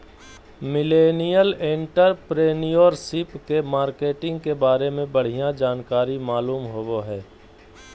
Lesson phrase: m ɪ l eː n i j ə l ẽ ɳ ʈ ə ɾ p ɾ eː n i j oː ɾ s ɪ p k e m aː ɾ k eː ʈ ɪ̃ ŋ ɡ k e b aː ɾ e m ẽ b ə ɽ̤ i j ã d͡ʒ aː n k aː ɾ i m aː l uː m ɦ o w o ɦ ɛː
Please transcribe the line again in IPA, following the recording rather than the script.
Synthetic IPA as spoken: m ɪ l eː n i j ə l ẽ ɳ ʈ ə ɾ p ɾ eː n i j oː ɾ s ɪ p k e m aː ɾ k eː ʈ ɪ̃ ŋ ɡ k e b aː ɾ e m ẽ b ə ɽ̤ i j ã d͡ʒ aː n k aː ɾ i m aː l uː m ɦ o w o ɦ ɛː